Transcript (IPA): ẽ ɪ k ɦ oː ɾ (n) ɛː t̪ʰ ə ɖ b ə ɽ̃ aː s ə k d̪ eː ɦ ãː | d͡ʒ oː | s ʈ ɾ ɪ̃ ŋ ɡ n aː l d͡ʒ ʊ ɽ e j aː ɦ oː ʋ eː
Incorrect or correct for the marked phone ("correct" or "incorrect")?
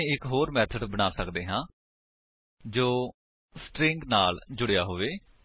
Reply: incorrect